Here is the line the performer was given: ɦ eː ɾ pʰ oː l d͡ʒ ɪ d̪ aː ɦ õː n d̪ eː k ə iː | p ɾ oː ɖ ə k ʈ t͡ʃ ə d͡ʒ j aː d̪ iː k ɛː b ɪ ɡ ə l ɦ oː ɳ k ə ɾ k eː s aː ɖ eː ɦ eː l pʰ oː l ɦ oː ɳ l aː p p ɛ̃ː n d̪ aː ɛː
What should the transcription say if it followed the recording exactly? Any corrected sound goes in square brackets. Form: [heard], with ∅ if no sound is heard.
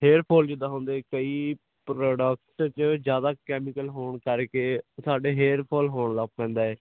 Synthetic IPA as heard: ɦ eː ɾ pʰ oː l d͡ʒ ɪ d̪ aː ɦ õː n d̪ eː k ə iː | p ɾ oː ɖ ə k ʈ t͡ʃ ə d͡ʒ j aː d̪ [aː] k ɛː [m] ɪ [k] ə l ɦ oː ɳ k ə ɾ k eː s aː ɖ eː ɦ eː [ɾ] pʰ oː l ɦ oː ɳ l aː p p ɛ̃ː n d̪ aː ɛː